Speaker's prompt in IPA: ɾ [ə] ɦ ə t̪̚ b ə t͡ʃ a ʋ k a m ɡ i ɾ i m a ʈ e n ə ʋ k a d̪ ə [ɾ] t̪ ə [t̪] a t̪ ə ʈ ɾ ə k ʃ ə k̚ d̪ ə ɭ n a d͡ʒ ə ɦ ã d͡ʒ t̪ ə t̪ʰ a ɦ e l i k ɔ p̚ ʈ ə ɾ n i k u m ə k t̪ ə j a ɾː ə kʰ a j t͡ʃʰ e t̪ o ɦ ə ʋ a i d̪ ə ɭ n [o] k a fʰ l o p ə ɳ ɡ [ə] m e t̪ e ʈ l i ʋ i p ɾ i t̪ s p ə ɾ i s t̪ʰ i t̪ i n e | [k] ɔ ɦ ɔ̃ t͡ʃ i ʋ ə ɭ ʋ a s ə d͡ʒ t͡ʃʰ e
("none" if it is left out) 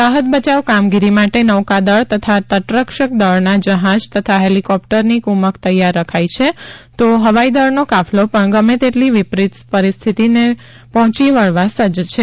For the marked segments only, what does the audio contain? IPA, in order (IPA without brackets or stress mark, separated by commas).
a, ɭ, t̪ʰ, o, ə, p